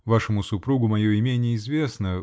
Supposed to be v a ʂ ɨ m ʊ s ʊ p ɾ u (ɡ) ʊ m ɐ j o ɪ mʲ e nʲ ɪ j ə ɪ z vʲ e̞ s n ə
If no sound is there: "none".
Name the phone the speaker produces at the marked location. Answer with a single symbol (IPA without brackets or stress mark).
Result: ɡ